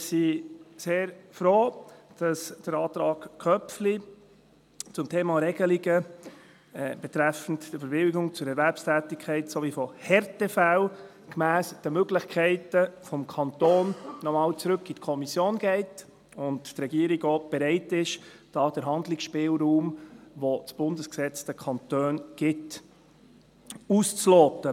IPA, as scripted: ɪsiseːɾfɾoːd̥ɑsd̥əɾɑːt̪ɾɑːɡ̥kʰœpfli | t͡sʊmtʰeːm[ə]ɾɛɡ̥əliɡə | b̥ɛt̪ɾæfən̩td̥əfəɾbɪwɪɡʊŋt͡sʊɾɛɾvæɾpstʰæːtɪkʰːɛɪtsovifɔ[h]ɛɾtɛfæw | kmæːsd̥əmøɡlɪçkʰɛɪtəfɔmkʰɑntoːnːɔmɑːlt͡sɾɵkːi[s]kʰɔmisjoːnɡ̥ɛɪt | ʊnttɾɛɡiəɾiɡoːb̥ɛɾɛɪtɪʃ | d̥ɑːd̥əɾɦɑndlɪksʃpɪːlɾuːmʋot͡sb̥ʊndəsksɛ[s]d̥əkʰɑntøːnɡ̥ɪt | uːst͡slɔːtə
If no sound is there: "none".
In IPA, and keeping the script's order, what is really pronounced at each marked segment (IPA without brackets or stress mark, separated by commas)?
ɑ, h, t, t͡s